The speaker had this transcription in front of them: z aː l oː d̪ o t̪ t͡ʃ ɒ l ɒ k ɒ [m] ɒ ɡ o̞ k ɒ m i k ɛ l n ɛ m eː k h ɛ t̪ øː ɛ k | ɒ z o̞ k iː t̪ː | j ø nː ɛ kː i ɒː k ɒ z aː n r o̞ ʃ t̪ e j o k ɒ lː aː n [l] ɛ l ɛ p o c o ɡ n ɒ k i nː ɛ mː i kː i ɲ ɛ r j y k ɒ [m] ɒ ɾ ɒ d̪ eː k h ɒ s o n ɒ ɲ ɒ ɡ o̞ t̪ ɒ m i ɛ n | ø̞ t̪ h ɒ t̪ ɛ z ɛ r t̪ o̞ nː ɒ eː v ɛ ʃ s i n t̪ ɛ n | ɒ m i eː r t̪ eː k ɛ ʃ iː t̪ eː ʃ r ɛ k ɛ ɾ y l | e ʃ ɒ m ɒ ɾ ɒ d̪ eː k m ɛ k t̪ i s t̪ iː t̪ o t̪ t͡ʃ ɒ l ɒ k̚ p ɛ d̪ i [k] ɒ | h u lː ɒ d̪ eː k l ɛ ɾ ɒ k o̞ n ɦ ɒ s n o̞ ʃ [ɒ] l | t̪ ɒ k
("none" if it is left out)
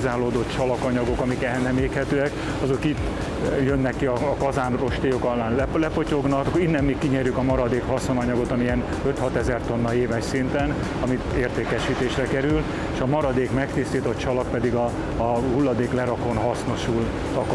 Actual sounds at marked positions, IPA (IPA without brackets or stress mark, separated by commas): ɲ, l, m, ɡ, u